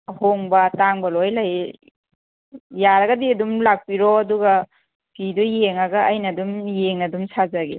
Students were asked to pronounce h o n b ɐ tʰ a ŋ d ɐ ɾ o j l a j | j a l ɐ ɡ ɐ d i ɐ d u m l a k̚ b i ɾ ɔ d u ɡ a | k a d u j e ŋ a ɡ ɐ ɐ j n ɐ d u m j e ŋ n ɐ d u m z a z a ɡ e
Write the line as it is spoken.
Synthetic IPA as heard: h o ŋ b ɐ t a ŋ b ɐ l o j l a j | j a ɾ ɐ ɡ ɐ d i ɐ d u m l a k̚ p i ɾ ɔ d u ɡ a | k i d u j e ŋ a ɡ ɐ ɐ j n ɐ d u m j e ŋ n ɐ d u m s a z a ɡ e